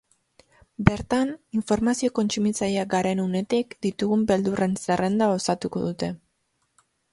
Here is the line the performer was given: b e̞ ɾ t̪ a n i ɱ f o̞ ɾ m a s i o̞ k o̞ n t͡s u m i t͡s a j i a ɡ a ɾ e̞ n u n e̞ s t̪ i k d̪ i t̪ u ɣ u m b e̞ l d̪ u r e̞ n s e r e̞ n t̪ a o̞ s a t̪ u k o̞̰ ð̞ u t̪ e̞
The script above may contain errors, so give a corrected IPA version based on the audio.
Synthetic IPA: b e̞ ɾ t̪ a n i ɱ f o̞ ɾ m a s i o̞ k o̞ n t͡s u m i t͡s a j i a ɡ a ɾ e̞ n u n e̞ t̪ i k d̪ i t̪ u ɣ u m b e̞ l d̪ u r e̞ n s e r e̞ n d̪ a o̞ s a t̪ u k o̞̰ ð̞ u t̪ e̞